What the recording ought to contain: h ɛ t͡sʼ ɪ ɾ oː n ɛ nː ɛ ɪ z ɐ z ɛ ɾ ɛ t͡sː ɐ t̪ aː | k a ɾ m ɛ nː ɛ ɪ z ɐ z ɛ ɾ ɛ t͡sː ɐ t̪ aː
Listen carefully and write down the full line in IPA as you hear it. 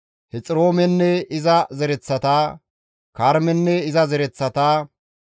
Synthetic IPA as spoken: h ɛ t͡sʼ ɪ ɾ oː m ɛ nː ɛ ɪ z ɐ z ɛ ɾ ɛ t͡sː ɐ t̪ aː | k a ɾ m ɛ nː ɛ ɪ z ɐ z ɛ ɾ ɛ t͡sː ɐ t̪ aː